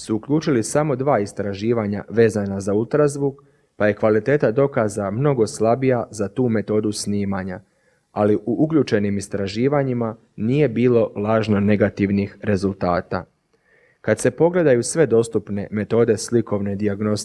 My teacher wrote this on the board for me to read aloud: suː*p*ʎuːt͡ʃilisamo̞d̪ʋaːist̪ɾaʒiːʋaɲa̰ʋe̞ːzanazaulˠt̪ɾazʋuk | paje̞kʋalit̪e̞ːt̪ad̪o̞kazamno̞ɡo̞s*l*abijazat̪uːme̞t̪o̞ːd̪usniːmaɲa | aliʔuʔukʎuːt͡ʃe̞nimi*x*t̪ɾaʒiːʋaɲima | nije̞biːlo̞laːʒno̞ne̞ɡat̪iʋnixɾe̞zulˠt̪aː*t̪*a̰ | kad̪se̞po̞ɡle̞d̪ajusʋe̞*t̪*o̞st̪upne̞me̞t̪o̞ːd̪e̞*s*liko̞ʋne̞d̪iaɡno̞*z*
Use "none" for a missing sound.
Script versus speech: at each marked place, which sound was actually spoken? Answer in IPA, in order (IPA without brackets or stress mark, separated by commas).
k, l, s, t̪, d̪, s, s